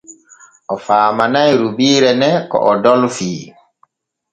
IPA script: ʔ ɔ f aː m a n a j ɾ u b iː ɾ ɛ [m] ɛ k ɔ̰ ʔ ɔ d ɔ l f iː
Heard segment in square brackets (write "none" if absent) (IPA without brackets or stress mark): n